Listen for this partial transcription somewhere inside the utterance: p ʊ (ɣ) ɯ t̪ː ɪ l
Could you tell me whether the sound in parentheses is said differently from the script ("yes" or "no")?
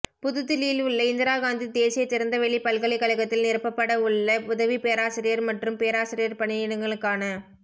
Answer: yes